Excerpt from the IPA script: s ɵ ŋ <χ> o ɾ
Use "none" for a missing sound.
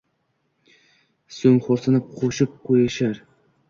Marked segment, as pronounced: χ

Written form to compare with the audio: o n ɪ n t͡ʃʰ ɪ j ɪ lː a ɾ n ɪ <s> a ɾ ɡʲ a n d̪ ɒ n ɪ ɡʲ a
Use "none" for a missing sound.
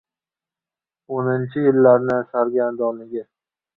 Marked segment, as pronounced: s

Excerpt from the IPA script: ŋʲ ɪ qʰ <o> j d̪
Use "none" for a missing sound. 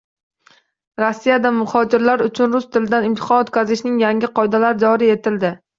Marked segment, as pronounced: ɒ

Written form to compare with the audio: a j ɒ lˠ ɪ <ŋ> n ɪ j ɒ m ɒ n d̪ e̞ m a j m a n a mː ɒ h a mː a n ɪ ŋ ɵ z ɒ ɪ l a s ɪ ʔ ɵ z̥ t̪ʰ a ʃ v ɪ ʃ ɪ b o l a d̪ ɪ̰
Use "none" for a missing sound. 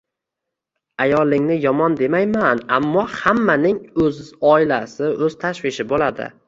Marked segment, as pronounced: ŋ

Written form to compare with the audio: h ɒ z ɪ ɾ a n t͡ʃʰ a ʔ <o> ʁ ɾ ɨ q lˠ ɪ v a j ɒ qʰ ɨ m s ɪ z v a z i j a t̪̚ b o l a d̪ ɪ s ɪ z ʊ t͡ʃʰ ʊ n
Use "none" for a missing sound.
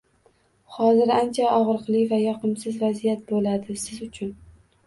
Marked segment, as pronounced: ɒ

